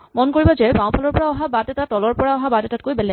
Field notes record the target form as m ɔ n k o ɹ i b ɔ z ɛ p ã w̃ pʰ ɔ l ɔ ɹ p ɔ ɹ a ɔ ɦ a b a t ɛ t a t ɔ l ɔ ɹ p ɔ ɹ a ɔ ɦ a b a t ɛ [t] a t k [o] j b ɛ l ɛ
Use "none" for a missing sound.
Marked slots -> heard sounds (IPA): t, o

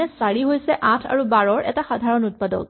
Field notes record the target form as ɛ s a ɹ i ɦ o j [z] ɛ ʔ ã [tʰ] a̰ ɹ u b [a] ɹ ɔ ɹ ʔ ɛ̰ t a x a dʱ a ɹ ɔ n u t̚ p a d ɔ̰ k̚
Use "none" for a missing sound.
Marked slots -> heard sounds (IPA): s, tʰ, a

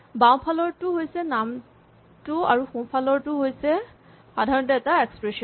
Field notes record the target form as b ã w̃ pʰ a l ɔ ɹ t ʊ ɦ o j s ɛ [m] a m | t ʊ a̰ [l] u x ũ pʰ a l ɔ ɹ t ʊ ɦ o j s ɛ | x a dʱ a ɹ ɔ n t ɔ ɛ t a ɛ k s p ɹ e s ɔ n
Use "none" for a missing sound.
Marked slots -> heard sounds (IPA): n, ɹ

